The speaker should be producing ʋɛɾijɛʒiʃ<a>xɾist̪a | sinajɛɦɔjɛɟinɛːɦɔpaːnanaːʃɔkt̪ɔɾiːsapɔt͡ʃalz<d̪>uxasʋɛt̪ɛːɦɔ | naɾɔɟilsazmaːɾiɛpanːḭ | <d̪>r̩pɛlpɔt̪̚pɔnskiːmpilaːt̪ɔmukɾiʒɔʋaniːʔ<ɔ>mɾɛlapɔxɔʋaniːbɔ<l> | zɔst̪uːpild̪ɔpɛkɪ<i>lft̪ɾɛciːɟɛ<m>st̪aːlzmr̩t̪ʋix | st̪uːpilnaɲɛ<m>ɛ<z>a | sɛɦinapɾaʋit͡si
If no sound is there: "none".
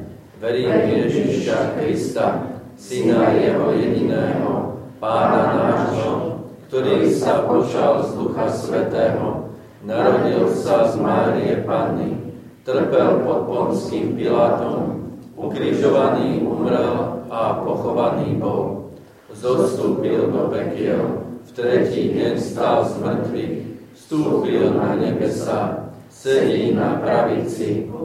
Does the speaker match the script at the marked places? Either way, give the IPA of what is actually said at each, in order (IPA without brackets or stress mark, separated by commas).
a, d̪, t̪, u, l, ɛ, ɲ, b, s